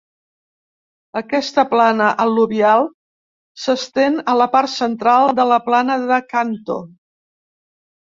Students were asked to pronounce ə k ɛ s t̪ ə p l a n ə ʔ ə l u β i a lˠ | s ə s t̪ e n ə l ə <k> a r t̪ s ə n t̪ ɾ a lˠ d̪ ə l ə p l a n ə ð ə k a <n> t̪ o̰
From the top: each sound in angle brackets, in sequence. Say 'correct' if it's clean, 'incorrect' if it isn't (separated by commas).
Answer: incorrect, correct